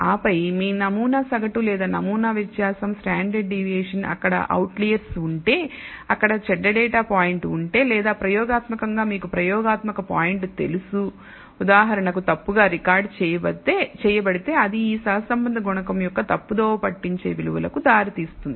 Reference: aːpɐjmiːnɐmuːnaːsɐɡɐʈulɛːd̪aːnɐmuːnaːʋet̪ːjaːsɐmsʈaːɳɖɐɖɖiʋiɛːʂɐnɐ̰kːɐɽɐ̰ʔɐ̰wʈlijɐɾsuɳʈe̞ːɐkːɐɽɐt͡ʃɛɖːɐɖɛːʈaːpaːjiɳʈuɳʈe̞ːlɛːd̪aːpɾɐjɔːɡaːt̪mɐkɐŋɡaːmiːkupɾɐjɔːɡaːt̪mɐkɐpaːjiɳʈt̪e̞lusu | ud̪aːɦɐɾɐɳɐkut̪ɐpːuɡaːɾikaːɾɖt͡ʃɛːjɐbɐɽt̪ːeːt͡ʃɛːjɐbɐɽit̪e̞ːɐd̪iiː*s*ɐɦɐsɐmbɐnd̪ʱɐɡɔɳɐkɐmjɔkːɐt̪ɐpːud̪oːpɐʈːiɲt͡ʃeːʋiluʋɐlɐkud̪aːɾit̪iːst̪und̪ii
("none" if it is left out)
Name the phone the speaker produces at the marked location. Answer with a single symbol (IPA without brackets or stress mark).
s